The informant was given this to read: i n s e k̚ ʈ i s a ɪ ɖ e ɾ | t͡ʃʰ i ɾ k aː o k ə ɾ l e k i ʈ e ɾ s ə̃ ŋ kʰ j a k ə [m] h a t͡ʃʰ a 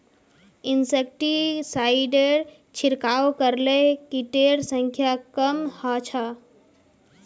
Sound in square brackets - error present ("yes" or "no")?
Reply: no